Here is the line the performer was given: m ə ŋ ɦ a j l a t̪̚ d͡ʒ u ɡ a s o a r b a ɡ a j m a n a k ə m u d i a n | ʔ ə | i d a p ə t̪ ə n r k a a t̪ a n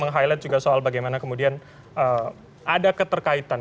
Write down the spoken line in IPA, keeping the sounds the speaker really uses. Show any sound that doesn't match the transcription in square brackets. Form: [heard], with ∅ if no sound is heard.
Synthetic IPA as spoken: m ə ŋ ɦ a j l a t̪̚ d͡ʒ u ɡ a s o a [l] b a ɡ a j m a n a k ə m u d i a n | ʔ ə | [a] d a [k] ə t̪ ə [∅] r k a [i] t̪ a n